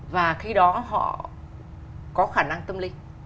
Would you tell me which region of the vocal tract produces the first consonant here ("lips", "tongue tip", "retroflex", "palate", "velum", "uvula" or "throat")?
lips